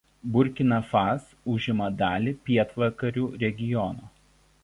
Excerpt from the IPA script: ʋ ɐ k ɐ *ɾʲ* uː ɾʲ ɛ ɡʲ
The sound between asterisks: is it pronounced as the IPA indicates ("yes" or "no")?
yes